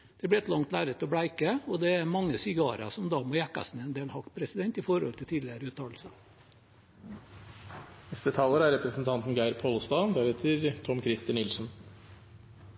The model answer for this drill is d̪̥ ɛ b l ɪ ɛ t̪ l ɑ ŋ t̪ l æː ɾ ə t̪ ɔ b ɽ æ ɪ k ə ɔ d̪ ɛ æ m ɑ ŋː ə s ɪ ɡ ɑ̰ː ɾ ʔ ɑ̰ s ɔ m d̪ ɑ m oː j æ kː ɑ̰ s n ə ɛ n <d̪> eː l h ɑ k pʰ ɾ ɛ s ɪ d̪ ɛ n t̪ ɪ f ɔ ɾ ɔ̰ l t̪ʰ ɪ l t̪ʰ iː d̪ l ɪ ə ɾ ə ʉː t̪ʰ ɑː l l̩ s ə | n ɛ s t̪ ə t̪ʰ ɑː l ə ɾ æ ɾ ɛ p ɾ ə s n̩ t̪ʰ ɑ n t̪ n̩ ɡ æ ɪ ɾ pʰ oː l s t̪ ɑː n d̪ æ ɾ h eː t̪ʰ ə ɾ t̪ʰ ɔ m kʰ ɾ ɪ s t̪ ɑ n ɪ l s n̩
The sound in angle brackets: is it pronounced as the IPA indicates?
yes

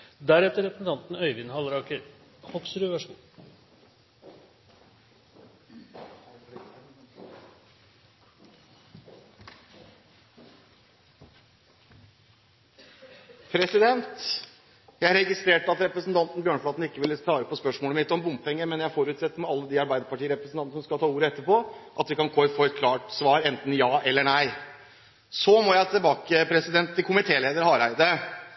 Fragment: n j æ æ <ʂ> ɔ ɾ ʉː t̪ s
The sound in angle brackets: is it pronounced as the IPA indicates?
no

